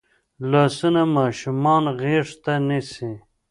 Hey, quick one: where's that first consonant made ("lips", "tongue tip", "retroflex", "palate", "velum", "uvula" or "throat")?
tongue tip